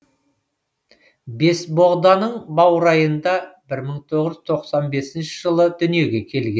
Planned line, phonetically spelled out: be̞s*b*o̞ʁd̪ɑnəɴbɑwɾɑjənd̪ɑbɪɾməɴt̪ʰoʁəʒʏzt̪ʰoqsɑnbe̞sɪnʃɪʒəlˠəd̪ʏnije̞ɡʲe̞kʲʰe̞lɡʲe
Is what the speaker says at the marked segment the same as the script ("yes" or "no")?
yes